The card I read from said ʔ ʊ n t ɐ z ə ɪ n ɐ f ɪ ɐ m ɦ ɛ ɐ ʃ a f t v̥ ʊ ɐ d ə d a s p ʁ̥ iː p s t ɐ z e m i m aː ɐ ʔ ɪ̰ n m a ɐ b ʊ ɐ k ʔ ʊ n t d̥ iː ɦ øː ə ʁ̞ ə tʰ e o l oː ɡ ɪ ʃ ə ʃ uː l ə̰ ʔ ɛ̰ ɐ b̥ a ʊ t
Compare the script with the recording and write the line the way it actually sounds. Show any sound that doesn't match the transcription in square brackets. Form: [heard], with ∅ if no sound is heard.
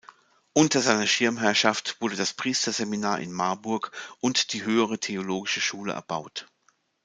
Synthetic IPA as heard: ʔ ʊ n t ɐ z [a] ɪ n ɐ [ʃ] ɪ ɐ m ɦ ɛ ɐ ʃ a f t v̥ ʊ ɐ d ə d a s p ʁ̥ iː [∅] s t ɐ z e m i [n] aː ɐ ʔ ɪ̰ n m a ɐ b ʊ ɐ k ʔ ʊ n t d̥ iː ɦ øː ə ʁ̞ ə tʰ e o l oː ɡ ɪ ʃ ə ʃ uː l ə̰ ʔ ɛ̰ ɐ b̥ a ʊ t